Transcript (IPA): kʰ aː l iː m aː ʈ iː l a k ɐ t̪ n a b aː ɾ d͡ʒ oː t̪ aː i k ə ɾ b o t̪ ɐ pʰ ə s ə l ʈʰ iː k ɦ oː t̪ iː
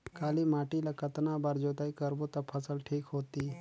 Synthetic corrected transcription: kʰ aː l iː m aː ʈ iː l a k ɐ t̪ n a b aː ɾ d͡ʒ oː t̪ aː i k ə ɾ b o t̪ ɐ pʰ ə s ə l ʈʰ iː k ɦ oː t̪ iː